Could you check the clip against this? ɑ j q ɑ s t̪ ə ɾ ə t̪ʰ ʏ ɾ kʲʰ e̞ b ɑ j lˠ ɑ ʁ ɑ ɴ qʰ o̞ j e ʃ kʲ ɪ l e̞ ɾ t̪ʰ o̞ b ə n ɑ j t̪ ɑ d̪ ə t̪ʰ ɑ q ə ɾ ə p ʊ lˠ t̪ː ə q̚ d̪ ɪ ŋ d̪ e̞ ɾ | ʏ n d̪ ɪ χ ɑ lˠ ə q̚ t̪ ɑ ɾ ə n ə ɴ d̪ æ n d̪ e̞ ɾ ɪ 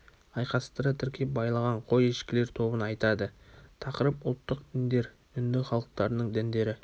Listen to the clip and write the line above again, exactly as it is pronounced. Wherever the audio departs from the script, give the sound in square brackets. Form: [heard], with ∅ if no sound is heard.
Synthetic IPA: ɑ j q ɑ s t̪ ə ɾ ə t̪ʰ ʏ ɾ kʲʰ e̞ b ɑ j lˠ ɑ ʁ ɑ ɴ qʰ o̞ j e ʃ kʲ ɪ l e̞ ɾ t̪ʰ o̞ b ə n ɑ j t̪ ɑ d̪ ə t̪ʰ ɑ q ə ɾ ə p ʊ lˠ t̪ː ə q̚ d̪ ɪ [n] d̪ e̞ ɾ | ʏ n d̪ ɪ χ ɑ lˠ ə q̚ t̪ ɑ ɾ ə n ə ɴ d̪ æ n d̪ e̞ ɾ ɪ